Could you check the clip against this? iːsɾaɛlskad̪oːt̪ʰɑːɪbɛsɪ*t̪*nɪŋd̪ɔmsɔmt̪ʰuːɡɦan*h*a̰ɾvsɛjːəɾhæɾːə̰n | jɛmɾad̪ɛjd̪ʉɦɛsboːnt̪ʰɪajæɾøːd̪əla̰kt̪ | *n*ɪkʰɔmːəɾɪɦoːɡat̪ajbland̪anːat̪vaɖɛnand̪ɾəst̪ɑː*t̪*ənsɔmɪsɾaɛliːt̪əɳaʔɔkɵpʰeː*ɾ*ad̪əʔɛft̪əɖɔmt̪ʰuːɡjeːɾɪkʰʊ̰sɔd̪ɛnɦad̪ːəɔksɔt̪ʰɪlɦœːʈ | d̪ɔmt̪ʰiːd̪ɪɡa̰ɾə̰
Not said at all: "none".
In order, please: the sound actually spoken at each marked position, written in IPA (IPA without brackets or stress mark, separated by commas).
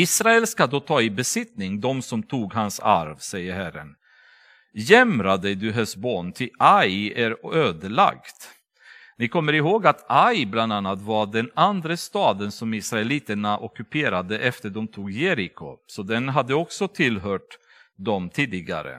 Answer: t̪, s, n, d̪, ɾ